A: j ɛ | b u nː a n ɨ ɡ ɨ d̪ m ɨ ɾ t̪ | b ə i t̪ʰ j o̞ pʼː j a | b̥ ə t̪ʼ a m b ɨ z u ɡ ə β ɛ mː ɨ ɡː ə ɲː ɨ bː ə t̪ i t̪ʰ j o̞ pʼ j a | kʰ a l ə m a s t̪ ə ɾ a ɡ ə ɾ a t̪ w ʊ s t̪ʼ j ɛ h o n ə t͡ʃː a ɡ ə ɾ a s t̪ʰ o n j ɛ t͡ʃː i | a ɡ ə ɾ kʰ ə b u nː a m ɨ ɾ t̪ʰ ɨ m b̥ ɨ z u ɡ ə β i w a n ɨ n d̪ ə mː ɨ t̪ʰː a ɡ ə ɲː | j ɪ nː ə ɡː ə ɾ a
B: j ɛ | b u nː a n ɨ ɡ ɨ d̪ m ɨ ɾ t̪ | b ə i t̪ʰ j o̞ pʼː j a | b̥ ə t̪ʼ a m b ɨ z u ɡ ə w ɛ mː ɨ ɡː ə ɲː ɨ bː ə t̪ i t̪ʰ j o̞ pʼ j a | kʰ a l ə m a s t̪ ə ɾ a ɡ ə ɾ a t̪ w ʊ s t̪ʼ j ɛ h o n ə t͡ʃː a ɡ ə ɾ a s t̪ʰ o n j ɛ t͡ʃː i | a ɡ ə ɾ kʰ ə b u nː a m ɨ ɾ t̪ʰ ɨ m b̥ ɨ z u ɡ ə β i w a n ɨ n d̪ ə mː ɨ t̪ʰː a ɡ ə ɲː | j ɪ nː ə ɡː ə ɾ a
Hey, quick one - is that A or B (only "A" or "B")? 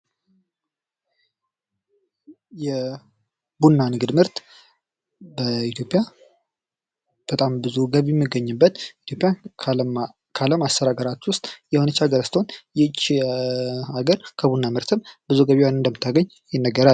A